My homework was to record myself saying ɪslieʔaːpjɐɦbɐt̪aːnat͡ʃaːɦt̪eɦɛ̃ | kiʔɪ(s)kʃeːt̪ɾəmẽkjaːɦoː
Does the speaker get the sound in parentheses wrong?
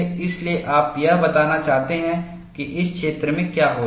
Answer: no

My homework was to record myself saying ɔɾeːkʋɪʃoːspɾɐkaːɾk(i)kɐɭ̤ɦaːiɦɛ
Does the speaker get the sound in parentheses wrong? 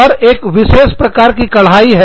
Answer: no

